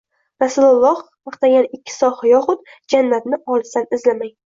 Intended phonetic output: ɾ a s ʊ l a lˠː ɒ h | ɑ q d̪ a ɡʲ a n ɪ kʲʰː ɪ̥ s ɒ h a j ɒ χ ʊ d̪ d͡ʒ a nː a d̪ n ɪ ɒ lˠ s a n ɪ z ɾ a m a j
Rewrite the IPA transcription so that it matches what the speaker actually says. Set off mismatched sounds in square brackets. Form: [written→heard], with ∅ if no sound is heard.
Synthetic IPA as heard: ɾ a s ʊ l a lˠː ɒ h | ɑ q [d̪→t̪] a ɡʲ a n ɪ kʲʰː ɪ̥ s ɒ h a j ɒ χ ʊ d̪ d͡ʒ a nː a [d̪→t̪] n ɪ ɒ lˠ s a n ɪ z [ɾ→l] a m a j